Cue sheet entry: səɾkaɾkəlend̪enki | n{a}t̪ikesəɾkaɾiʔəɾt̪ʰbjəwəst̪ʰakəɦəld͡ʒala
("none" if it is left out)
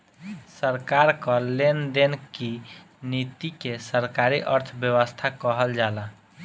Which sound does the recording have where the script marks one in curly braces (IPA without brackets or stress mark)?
i